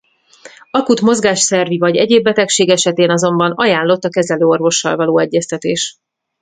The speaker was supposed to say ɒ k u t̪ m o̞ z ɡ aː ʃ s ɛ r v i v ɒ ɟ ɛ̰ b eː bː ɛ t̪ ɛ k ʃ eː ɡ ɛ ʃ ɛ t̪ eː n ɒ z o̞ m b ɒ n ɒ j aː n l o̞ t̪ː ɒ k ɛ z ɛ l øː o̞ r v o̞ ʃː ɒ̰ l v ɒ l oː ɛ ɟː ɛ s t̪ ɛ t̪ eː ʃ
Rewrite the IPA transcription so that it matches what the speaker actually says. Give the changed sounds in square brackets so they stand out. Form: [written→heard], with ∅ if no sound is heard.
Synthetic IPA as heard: ɒ k u t̪ m o̞ z ɡ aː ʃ s ɛ r v i v ɒ ɟ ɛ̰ [b→ɟ] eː bː ɛ t̪ ɛ k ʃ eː ɡ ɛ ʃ ɛ t̪ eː n ɒ z o̞ m b ɒ n ɒ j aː n l o̞ t̪ː ɒ k ɛ z ɛ l øː o̞ r v o̞ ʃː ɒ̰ l v ɒ l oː ɛ ɟː ɛ s t̪ ɛ t̪ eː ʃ

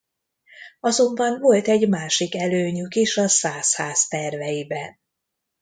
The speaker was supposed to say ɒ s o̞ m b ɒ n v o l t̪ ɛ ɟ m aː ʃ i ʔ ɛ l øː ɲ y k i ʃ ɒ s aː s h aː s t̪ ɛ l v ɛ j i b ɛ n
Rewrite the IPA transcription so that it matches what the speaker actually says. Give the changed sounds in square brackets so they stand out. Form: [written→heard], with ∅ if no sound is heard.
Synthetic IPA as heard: ɒ [s→z] o̞ m b ɒ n v o l t̪ ɛ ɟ m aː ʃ i [ʔ→k] ɛ l øː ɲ y k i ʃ ɒ s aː s h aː s t̪ ɛ [l→r] v ɛ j i b ɛ n

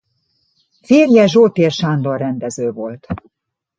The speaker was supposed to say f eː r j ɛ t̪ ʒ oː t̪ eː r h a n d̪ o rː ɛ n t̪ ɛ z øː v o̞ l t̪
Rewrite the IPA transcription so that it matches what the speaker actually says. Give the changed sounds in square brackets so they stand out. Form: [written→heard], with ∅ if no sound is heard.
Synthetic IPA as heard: f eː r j ɛ [t̪→∅] ʒ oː t̪ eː r [h→ʃ] a n d̪ o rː ɛ n [t̪→d̪] ɛ z øː v o̞ l t̪

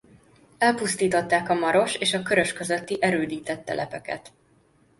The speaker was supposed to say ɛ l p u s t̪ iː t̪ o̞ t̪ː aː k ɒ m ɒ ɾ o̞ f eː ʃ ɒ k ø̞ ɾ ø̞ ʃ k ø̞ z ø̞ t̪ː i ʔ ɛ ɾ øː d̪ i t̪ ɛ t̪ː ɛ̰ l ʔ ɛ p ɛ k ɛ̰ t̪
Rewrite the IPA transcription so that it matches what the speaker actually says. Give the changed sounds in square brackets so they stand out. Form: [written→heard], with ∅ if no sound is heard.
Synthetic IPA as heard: ɛ l p u s t̪ iː t̪ o̞ t̪ː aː k ɒ m ɒ ɾ o̞ [f→ʃ] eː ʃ ɒ k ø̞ ɾ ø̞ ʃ k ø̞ z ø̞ t̪ː i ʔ ɛ ɾ øː d̪ [i→iː] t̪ ɛ t̪ː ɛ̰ l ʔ ɛ p ɛ k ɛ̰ t̪

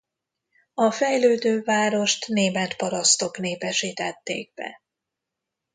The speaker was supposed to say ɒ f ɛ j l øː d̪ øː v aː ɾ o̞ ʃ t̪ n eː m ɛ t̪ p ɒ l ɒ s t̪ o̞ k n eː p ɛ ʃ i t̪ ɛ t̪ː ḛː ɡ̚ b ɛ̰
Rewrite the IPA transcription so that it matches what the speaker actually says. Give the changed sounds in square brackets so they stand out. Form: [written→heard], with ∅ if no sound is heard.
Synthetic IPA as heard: ɒ f ɛ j l øː d̪ øː v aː ɾ o̞ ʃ t̪ n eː m ɛ t̪ p ɒ [l→ɾ] ɒ s t̪ o̞ k n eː p ɛ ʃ i t̪ ɛ t̪ː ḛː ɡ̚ b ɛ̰

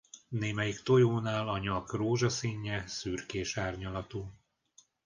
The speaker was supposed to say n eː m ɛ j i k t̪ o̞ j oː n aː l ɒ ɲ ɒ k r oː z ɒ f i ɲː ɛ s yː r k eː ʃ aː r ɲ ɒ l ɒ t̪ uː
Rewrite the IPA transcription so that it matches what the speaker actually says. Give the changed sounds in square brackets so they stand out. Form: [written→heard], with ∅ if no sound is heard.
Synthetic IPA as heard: n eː m ɛ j i k t̪ o̞ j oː n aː l ɒ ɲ ɒ k r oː [z→ʒ] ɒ [f→s] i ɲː ɛ s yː r k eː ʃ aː r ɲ ɒ l ɒ t̪ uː

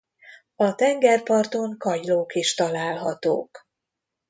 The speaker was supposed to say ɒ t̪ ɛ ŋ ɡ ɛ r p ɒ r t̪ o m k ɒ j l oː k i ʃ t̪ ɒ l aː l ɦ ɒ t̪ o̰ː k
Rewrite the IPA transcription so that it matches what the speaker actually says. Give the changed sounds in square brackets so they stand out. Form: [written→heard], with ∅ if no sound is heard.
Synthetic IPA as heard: ɒ t̪ ɛ ŋ ɡ ɛ r p ɒ r t̪ o [m→ŋ] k ɒ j l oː k i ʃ t̪ ɒ l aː l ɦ ɒ t̪ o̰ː k

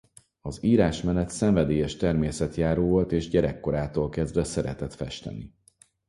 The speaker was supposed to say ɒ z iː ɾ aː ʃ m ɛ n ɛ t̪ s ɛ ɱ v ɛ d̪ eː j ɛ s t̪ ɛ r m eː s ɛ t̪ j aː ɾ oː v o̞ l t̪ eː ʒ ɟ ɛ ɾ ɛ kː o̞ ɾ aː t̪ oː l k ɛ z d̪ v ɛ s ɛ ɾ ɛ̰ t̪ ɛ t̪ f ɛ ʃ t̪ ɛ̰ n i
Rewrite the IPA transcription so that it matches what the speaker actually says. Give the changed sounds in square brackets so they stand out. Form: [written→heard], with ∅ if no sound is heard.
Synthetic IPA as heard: ɒ z iː ɾ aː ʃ m ɛ n ɛ t̪ s ɛ ɱ v ɛ d̪ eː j ɛ [s→ʃ] t̪ ɛ r m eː s ɛ t̪ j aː ɾ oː v o̞ l t̪ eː ʒ ɟ ɛ ɾ ɛ kː o̞ ɾ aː t̪ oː l k ɛ z d̪ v ɛ s ɛ ɾ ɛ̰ t̪ ɛ t̪ f ɛ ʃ t̪ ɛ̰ n i

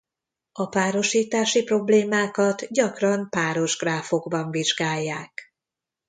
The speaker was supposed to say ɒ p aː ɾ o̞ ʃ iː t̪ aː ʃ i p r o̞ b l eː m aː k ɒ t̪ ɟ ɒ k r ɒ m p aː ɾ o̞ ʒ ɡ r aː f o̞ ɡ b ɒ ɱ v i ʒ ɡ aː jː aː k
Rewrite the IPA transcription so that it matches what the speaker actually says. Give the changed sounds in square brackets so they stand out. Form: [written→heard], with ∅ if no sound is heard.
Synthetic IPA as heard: ɒ p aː ɾ o̞ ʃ iː t̪ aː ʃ i p r o̞ b l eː m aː k ɒ t̪ ɟ ɒ k r ɒ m p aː ɾ o̞ ʒ ɡ r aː f o̞ ɡ b ɒ ɱ v i ʒ ɡ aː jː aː k

